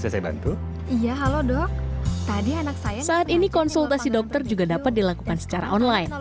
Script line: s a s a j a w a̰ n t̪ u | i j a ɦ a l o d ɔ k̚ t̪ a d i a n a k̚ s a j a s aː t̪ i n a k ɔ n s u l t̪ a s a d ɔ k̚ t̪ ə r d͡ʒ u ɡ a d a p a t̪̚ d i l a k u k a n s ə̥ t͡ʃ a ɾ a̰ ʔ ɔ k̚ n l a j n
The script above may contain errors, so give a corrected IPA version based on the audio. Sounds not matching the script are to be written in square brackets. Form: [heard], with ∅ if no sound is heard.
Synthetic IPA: s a s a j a [b] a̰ n t̪ u | i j a ɦ a l o d ɔ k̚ t̪ a d i a n a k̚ s a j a s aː t̪ i n [i] k ɔ n s u l t̪ a s [i] d ɔ k̚ t̪ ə r d͡ʒ u ɡ a d a p a t̪̚ d i l a k u k a n s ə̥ t͡ʃ a ɾ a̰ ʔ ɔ [∅] n l a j n